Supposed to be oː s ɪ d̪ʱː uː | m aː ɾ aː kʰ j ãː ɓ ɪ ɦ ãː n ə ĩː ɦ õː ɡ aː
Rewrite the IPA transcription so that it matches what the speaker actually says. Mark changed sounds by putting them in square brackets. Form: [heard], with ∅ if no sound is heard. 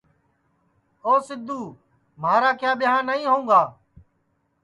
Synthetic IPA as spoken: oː s ɪ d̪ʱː uː | m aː ɾ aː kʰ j [aː] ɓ ɪ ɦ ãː n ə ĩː ɦ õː ɡ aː